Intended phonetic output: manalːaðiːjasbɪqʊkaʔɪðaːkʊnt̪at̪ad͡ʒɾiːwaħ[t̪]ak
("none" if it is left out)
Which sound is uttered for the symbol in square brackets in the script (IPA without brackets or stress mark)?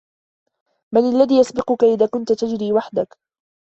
d̪